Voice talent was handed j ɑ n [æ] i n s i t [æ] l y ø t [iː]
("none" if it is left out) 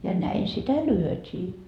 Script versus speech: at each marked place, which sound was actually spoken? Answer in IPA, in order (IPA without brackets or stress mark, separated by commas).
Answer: æ, æ, iː